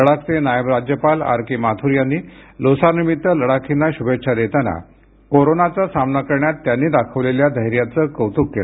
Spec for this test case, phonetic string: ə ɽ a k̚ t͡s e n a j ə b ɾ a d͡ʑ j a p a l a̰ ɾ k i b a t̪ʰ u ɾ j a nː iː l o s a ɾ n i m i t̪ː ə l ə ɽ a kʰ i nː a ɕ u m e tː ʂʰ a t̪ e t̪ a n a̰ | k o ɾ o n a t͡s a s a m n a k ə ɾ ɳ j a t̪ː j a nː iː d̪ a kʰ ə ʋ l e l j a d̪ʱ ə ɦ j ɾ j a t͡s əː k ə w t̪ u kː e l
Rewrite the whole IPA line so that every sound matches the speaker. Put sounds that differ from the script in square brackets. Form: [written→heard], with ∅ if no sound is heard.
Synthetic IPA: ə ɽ a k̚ t͡s e n a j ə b ɾ a d͡ʑ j [a→ə] p a l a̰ ɾ k i [b→m] a t̪ʰ u ɾ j a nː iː l o s a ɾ n i m i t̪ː ə l ə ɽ a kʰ i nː a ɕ u [m→b] e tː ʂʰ a [t̪→d̪] e t̪ a n a̰ | k o ɾ o n a t͡s a s a m n a k ə ɾ ɳ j a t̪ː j a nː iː d̪ a kʰ ə ʋ l e l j a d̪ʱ ə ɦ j ɾ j a t͡s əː k ə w t̪ u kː e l